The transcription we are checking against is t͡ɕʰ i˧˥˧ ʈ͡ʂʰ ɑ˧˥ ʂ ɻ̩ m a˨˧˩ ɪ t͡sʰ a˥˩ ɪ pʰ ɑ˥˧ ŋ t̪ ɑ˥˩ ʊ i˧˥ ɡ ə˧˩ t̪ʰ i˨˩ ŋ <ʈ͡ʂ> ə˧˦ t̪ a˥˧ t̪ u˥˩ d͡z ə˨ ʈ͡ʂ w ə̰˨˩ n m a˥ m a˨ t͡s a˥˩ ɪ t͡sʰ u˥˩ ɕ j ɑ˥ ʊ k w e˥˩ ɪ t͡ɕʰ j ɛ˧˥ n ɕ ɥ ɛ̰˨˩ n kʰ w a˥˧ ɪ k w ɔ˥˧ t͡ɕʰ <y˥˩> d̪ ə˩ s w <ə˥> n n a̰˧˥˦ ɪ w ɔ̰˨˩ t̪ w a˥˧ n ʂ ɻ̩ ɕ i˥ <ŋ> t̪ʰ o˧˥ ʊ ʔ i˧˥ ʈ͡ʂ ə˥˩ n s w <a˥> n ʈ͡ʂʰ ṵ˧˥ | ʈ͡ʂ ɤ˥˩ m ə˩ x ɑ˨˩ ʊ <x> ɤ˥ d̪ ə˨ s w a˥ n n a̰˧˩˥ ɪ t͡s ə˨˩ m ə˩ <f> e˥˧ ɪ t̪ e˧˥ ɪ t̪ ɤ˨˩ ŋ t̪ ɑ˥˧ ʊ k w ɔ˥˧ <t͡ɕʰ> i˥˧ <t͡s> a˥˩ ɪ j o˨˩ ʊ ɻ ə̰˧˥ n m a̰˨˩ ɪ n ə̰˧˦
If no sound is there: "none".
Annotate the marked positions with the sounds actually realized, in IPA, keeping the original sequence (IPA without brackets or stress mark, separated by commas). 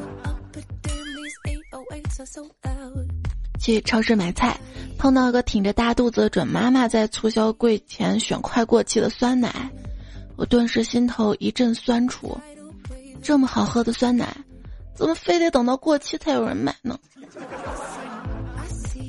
ʈ͡ʂ, i˥˩, a˥, n, a˥, x, f, t͡ɕʰ, t͡sʰ